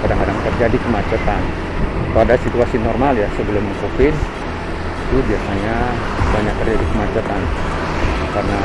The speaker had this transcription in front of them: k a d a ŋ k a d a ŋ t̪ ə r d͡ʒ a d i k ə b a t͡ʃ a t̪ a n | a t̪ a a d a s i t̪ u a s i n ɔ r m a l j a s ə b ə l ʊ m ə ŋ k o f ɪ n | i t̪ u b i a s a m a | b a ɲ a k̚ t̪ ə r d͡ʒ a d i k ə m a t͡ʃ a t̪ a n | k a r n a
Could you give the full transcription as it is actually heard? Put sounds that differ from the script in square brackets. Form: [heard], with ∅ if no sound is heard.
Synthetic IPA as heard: k a d a ŋ k a d a ŋ t̪ ə r d͡ʒ a d i k ə [m] a t͡ʃ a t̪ a n | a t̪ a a d a s i t̪ u a s i n ɔ r m a l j a s ə b ə l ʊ m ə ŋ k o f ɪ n | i t̪ u b i a s a [ɲ] a | b a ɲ a k̚ t̪ ə r d͡ʒ a d i k ə m a t͡ʃ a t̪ a n | k a r n a

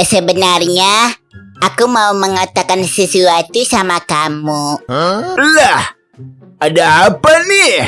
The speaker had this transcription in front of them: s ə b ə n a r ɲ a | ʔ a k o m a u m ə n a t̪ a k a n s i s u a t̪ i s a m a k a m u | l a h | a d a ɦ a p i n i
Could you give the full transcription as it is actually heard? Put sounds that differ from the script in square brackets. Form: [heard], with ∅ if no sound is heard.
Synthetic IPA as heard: s ə b ə n a r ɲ a | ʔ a k [u] m a u m ə [ŋ] a t̪ a k a n s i s u a t̪ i s a m a k a m u | l a h | a d a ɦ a p [a] n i

